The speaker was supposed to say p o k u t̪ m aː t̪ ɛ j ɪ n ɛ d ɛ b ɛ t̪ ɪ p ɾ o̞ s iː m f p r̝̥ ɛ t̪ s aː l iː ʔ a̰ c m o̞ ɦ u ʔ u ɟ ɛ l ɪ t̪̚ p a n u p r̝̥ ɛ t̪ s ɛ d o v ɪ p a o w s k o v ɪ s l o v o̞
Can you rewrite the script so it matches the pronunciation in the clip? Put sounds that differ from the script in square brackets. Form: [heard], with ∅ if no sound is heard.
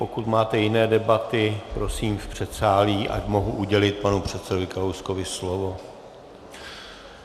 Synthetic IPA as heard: p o k u t̪ m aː t̪ ɛ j ɪ n [ɛː] d ɛ b [a] t̪ ɪ p ɾ o̞ s iː m f p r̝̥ ɛ t̪ s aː l iː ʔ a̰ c m o̞ ɦ u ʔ u ɟ ɛ l ɪ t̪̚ p a n u p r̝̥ ɛ t̪ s ɛ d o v ɪ [k] a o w s k o v ɪ s l o v o̞